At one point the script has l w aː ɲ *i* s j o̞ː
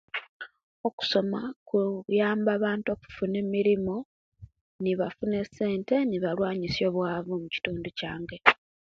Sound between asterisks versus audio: correct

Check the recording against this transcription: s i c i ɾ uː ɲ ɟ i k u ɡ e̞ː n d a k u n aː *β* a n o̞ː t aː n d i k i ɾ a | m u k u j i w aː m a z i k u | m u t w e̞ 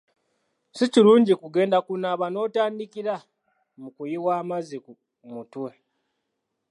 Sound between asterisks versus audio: correct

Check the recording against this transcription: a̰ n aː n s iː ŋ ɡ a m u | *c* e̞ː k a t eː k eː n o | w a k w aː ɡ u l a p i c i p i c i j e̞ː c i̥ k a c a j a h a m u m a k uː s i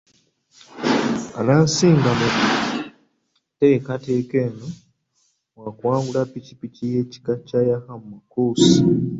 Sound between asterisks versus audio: incorrect: t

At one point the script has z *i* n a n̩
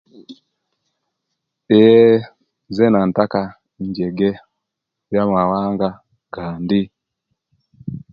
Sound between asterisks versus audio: incorrect: ɛ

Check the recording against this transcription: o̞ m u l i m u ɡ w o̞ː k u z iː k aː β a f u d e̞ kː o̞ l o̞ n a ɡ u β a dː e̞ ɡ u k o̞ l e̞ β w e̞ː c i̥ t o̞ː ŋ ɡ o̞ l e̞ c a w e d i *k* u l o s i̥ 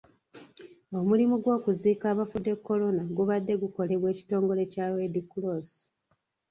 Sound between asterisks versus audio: correct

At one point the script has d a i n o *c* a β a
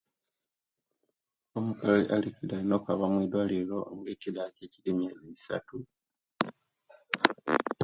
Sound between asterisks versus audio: incorrect: k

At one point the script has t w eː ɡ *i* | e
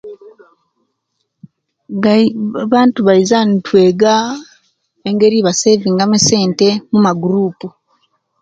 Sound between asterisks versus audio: incorrect: a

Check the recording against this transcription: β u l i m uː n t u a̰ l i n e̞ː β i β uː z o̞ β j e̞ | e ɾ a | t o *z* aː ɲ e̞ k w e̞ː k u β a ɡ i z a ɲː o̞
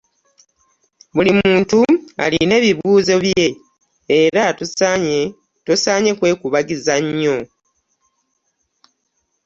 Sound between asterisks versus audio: incorrect: s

